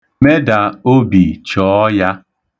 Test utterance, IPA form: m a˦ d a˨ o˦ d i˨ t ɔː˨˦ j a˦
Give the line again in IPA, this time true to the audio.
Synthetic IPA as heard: m e˦ d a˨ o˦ b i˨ t͡ʃ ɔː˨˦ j a˦